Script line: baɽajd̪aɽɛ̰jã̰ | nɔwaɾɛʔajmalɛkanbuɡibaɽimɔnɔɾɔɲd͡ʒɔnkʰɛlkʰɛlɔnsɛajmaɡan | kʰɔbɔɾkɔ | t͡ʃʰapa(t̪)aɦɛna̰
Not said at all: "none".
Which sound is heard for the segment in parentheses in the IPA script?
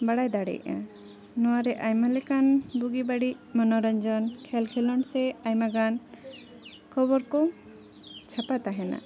t̪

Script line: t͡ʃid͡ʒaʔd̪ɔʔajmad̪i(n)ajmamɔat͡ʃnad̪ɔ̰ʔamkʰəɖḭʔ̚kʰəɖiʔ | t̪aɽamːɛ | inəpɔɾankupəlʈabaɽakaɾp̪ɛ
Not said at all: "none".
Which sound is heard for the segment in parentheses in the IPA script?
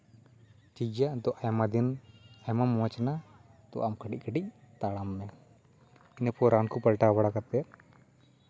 n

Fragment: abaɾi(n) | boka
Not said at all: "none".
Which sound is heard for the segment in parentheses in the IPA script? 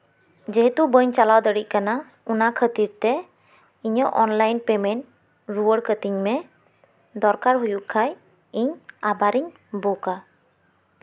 ɲ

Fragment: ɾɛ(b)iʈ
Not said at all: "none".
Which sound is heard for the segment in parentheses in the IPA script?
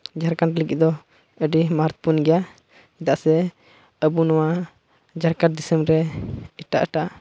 none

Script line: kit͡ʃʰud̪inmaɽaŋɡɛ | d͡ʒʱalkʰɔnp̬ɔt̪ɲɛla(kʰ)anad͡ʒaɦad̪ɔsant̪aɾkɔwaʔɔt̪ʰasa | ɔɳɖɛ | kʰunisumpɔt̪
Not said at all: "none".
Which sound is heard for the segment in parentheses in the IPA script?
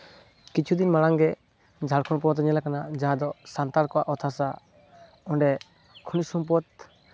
k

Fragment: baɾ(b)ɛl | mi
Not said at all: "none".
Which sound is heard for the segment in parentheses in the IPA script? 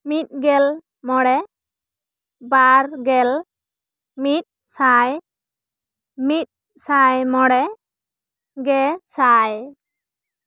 ɡ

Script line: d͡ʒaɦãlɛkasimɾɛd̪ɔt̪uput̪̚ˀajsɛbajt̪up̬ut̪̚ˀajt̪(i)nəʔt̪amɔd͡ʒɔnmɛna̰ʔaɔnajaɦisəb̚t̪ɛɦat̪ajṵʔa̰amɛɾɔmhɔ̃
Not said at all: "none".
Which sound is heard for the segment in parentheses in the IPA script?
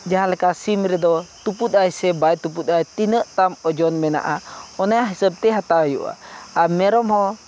i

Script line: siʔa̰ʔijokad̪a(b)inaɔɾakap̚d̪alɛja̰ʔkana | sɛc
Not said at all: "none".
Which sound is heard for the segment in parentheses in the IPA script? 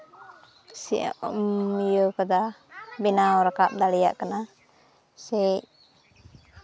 b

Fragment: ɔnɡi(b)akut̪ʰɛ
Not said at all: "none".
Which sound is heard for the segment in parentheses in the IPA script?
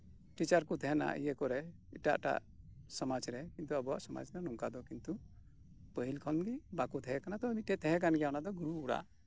b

